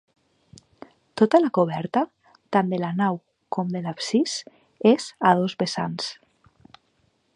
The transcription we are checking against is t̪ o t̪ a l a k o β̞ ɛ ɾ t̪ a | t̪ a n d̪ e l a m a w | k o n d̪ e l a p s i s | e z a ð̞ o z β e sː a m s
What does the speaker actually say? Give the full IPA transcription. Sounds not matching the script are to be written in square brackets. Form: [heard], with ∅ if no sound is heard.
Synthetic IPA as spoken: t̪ o t̪ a l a k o β̞ ɛ ɾ t̪ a | t̪ a n d̪ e l a [n] a w | k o [m] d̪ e l a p s i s | e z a ð̞ o z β e [s] a [n] s